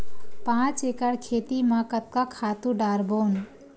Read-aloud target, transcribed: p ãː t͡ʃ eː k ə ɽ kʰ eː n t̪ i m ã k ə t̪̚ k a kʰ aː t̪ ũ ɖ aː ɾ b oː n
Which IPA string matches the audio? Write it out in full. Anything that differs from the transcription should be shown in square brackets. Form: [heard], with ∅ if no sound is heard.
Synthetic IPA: p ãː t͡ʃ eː k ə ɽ kʰ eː [∅] t̪ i m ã k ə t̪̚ k a kʰ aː t̪ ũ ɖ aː ɾ b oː n